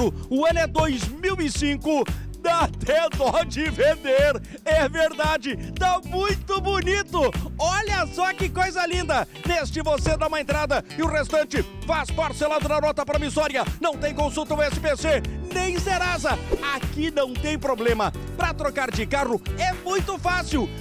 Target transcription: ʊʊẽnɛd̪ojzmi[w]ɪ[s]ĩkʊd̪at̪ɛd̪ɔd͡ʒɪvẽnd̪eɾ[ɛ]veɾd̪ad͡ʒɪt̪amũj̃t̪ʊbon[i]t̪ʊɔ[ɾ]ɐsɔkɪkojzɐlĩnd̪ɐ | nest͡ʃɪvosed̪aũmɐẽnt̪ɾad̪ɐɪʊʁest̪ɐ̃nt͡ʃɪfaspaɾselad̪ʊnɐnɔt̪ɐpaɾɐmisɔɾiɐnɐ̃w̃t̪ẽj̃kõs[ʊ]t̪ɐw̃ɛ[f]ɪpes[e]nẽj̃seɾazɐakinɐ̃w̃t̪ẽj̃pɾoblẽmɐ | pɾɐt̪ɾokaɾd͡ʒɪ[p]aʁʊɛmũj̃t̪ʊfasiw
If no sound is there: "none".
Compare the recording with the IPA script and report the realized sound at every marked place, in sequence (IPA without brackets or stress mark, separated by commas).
w, s, ɛ, i, ʎ, u, s, e, k